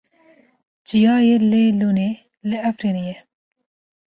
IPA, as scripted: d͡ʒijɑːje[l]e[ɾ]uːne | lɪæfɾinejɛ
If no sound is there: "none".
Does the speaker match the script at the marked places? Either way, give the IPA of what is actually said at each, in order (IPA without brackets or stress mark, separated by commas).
l, l